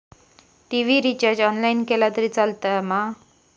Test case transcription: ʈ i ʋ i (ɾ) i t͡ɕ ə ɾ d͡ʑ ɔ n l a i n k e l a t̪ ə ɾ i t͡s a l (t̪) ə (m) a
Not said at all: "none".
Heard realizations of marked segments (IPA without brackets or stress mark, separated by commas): ɾ, t̪, m